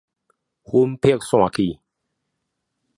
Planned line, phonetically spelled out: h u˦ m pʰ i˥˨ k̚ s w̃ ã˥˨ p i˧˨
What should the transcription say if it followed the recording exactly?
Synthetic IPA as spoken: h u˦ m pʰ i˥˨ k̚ s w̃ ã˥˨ k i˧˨